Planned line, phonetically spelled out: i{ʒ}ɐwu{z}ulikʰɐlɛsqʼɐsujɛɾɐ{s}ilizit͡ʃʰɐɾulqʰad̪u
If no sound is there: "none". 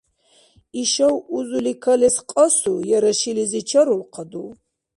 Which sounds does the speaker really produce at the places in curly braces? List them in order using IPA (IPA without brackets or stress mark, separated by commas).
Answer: ʃ, z, ʃ